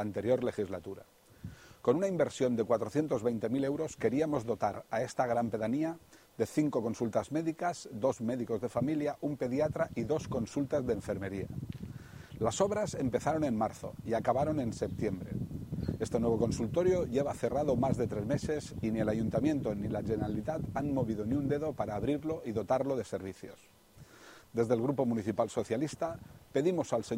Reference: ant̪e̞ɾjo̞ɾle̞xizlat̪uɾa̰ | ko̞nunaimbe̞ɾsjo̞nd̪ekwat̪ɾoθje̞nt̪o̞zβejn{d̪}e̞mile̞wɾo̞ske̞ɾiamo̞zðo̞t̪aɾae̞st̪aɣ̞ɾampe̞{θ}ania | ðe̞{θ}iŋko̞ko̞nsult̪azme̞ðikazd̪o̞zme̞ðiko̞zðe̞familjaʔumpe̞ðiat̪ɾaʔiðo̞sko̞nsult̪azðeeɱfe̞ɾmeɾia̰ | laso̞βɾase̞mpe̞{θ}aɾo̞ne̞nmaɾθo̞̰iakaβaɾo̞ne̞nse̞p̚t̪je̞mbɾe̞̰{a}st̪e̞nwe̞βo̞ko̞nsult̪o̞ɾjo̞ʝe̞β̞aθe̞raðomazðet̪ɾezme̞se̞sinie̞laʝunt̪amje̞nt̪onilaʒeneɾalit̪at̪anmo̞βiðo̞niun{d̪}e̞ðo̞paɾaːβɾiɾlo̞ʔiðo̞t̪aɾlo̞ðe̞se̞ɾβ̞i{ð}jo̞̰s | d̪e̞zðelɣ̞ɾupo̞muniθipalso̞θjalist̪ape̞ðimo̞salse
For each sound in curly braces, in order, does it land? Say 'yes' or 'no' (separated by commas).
no, no, yes, yes, no, yes, no